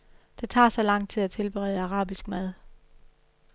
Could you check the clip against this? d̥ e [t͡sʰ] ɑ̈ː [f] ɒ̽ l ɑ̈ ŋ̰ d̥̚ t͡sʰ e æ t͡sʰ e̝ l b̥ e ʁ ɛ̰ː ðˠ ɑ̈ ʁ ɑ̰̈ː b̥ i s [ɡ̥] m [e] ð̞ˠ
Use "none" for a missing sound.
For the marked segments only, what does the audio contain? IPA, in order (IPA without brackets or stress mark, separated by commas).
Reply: t͡sʰ, s, ɡ̥, æ